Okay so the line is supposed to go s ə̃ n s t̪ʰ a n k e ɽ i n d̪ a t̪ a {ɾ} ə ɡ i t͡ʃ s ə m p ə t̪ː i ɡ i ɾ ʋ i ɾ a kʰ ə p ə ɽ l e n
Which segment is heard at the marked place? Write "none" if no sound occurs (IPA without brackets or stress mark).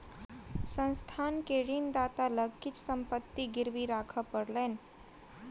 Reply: l